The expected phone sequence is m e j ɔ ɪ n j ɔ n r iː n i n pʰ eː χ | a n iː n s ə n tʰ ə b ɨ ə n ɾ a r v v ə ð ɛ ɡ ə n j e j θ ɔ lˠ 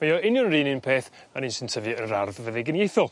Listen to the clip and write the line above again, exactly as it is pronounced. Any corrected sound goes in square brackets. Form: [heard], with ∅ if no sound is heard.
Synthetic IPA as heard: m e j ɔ ɪ n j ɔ n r iː n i n pʰ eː [θ] | a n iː n s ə n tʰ ə [v] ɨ ə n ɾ a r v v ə ð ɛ ɡ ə n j e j θ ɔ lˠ

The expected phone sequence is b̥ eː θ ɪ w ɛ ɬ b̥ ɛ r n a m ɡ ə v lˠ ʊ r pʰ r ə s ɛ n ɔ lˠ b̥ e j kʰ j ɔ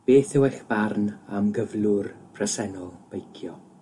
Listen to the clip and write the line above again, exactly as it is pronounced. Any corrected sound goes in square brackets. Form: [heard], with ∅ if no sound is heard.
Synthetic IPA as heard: b̥ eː θ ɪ w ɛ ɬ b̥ [a] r n a m ɡ ə v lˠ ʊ r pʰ r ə s ɛ n ɔ lˠ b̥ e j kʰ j ɔ

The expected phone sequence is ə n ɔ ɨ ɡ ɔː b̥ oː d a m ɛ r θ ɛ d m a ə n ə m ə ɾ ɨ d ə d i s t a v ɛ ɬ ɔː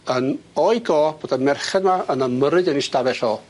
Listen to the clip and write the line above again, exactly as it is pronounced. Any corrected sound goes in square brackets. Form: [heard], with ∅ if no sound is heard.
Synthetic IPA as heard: ə n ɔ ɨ ɡ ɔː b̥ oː d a m ɛ r [χ] ɛ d m a ə n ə m ə ɾ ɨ d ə [n] i s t a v ɛ ɬ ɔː

